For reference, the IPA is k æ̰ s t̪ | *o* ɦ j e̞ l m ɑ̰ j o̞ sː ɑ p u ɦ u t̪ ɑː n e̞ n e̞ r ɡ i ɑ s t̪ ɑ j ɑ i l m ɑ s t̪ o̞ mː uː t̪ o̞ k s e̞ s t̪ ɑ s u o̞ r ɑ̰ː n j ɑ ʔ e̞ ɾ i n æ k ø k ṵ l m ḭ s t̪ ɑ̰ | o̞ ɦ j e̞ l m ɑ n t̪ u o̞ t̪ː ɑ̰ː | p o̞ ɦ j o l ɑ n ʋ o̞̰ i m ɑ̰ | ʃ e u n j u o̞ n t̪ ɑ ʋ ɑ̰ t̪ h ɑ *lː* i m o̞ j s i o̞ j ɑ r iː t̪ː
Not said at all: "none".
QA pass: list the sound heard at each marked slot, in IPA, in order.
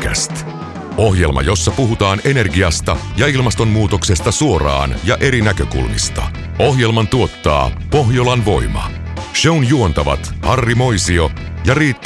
o, rː

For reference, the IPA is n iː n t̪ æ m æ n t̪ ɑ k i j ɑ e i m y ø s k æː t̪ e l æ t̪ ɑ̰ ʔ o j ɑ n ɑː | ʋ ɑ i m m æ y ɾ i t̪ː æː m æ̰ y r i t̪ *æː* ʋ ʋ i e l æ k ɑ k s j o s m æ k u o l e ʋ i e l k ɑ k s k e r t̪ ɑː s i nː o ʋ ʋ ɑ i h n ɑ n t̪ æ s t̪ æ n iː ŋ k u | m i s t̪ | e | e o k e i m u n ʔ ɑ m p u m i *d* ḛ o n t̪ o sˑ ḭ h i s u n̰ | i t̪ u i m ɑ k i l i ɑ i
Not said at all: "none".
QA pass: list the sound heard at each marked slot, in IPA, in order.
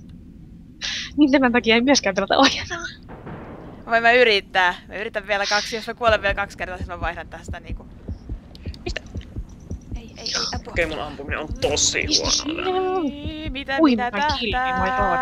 æ, n

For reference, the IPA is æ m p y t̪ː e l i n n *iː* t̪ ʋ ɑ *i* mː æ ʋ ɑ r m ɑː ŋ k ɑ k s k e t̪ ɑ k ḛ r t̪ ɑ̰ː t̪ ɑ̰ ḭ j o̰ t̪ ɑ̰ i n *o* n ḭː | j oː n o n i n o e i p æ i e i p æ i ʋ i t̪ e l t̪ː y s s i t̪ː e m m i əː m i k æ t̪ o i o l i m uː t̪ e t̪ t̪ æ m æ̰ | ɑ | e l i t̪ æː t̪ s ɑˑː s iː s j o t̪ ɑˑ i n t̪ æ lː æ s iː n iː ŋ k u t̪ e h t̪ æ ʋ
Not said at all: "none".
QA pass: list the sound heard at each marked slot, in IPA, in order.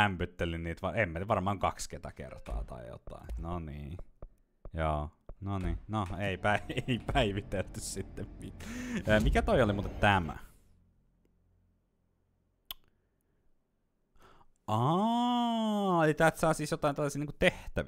iː, e, o

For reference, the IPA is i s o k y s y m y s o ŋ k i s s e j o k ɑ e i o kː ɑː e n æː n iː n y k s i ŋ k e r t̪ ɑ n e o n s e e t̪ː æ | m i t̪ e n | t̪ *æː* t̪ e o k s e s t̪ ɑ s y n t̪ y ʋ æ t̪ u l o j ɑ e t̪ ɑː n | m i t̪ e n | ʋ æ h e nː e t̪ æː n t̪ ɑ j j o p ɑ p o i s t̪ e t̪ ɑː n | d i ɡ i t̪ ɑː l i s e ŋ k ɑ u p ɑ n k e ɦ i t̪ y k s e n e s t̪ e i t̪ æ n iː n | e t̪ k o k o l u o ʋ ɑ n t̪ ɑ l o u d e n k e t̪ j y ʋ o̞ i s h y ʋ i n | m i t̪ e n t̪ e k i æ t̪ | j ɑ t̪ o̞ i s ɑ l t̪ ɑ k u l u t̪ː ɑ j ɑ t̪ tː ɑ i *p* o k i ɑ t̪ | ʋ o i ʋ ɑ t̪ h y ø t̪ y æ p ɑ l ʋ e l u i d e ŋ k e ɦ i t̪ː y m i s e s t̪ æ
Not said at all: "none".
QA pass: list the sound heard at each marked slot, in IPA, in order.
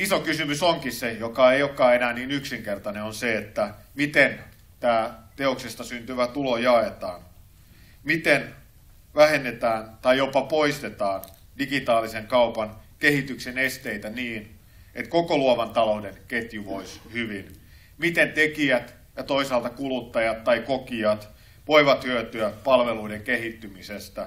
æː, k

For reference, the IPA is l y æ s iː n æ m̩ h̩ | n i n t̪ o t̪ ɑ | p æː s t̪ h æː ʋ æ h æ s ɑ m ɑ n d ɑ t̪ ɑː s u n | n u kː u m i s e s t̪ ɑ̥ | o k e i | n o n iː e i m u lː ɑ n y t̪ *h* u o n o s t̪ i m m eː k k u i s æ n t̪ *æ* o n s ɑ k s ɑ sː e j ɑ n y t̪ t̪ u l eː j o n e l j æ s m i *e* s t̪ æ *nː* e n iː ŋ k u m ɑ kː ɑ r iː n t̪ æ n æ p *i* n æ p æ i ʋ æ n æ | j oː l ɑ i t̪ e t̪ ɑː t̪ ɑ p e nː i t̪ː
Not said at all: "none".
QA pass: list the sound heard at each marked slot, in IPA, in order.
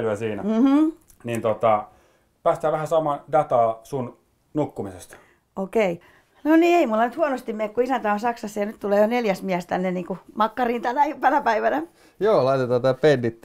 h, æ, æ, nː, æ

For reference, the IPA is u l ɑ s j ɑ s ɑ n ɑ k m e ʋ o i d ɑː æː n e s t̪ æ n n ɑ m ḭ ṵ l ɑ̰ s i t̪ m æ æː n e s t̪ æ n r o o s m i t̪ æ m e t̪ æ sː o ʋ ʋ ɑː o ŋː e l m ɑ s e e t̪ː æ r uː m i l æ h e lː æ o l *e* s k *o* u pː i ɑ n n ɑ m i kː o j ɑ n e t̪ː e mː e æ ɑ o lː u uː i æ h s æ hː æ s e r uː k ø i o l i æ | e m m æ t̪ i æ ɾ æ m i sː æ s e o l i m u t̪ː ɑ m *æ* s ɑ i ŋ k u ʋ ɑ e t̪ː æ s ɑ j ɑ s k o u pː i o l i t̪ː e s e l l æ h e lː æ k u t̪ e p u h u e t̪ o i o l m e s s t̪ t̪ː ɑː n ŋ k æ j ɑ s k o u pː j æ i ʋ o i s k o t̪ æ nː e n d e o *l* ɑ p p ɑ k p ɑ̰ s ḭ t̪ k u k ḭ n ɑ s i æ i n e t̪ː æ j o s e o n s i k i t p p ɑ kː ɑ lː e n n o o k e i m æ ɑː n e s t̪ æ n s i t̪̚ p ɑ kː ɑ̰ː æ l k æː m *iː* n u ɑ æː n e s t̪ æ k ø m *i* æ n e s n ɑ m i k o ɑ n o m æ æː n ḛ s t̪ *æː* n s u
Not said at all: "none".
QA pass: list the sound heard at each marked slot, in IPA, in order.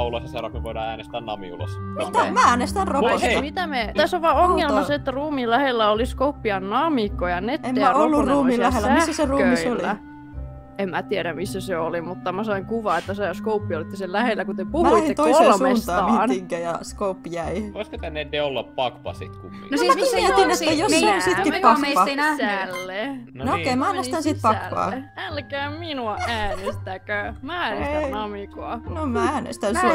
i, o, æ, lː, i, æ, æ

